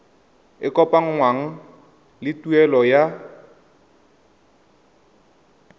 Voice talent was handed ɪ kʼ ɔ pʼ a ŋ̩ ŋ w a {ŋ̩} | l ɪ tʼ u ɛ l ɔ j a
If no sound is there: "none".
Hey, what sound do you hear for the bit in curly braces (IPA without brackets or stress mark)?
ŋ̩